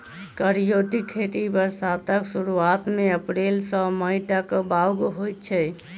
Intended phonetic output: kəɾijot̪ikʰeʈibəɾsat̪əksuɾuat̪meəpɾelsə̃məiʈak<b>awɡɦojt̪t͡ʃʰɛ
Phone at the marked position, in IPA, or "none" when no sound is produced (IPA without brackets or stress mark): b